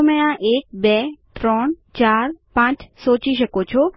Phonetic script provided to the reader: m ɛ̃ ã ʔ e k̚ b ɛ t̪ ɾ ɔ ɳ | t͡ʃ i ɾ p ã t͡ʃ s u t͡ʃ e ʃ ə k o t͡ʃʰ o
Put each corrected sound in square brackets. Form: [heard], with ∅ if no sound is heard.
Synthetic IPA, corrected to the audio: m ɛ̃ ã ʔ e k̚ b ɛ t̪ ɾ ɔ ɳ | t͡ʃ [a] ɾ p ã t͡ʃ s [o] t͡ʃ [i] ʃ ə k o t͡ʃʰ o